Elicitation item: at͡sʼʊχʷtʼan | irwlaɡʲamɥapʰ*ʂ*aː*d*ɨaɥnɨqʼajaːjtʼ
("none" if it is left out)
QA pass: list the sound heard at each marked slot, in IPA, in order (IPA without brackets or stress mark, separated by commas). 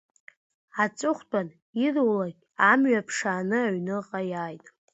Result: ʂ, n